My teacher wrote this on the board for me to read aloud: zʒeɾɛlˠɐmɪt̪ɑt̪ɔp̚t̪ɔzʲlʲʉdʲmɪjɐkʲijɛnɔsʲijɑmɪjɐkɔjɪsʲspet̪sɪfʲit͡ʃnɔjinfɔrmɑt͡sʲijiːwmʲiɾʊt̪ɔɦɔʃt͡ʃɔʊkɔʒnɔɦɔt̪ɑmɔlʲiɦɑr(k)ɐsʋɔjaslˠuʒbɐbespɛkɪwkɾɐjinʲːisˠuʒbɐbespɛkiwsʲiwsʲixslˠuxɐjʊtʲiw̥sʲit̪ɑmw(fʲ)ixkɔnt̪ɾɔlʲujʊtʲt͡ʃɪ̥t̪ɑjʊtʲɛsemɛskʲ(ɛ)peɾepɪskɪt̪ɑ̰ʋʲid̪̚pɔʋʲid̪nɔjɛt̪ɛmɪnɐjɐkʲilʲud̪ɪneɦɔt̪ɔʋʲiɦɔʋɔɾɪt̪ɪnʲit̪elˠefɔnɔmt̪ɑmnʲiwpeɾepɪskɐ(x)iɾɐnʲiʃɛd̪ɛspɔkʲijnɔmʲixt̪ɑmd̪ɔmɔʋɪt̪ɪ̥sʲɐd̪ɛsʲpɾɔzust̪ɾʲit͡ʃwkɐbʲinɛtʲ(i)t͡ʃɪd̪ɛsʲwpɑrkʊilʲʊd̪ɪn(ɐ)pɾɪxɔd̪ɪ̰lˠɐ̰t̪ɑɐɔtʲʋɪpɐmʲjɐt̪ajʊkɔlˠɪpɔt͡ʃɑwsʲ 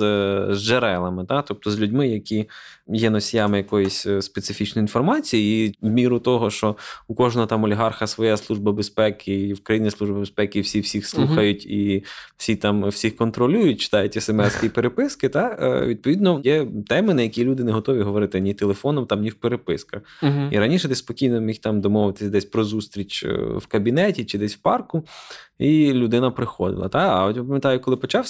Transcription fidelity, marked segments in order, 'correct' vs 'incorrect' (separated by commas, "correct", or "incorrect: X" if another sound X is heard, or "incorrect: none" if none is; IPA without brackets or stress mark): incorrect: x, incorrect: sʲ, incorrect: i, correct, correct, correct